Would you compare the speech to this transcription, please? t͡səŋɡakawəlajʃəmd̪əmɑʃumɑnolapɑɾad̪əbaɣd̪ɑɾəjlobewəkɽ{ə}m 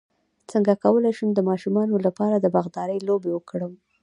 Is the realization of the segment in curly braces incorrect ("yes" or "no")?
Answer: no